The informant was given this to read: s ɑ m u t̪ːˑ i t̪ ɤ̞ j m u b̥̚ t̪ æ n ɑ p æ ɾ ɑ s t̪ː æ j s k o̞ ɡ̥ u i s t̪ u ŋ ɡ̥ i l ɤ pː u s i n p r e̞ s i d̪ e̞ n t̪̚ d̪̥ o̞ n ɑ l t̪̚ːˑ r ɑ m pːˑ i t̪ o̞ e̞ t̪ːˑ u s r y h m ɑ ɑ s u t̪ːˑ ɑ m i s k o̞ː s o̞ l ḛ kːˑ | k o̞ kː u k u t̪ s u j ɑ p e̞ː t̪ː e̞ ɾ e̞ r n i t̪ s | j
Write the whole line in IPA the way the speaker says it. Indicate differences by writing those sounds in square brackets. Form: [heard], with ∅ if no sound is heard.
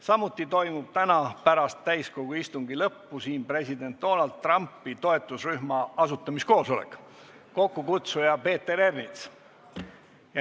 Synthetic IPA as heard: s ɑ m u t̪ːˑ i t̪ [o̞] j m u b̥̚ t̪ æ n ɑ p æ ɾ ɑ s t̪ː æ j s k o̞ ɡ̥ u i s t̪ u ŋ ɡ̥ i l ɤ pː u s [iː] n p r e̞ s i d̪ e̞ n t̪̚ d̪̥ o̞ n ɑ l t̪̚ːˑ r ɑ m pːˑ i t̪ o̞ e̞ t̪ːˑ u s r y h m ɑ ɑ s u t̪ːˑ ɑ m i s k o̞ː s o̞ l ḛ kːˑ | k o̞ kː u k u t̪ s u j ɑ p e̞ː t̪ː e̞ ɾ e̞ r n i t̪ s | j

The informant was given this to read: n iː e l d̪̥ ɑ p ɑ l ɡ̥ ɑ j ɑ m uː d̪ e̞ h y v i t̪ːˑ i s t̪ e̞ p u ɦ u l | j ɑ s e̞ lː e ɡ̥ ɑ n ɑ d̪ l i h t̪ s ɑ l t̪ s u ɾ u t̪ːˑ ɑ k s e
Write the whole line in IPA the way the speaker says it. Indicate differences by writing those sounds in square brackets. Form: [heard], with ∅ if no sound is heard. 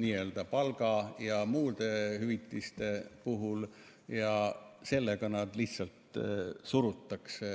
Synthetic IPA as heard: n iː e l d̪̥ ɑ p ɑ l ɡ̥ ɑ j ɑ m uː d̪ e̞ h y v i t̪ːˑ i s t̪ e̞ p u ɦ u l | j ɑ s e̞ lː e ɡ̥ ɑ n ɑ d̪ l i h t̪ s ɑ l t̪ s u ɾ u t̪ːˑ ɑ k s e

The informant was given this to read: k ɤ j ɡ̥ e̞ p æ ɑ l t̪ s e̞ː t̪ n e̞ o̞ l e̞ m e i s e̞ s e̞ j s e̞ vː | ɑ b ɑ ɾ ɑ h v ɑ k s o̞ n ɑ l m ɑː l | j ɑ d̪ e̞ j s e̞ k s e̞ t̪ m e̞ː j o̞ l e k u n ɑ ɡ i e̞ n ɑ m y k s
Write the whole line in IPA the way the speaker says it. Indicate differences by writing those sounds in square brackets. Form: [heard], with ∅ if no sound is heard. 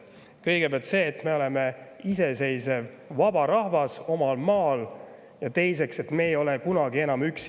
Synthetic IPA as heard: k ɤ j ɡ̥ e̞ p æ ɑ l t̪ s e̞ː t̪ [m] e̞ o̞ l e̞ m e i s e̞ s e̞ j s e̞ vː | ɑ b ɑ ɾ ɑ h v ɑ [∅] s o̞ [m] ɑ l m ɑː l | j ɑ [t̪] e̞ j s e̞ k s e̞ t̪ m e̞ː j o̞ l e k u n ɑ ɡ i e̞ n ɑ m y k s

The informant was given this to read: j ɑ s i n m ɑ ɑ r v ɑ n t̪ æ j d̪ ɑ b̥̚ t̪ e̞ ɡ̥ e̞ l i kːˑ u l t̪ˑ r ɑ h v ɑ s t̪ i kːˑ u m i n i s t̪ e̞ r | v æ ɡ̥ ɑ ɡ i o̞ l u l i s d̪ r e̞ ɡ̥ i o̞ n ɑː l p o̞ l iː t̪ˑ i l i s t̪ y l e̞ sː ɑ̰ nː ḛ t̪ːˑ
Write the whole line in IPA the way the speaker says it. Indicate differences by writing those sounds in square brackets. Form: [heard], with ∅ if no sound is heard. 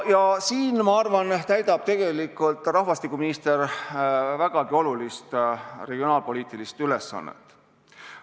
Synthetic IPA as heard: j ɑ s [iː] n m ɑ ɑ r v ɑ n t̪ æ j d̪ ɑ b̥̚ t̪ e̞ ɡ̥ e̞ l i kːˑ u l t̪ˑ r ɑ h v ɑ s t̪ i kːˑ u m i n i s t̪ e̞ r | v æ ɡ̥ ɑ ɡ i o̞ l u l i s [t̪] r e̞ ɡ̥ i o̞ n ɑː l p o̞ l iː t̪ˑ i l i s t̪ y l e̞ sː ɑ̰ nː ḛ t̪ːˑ

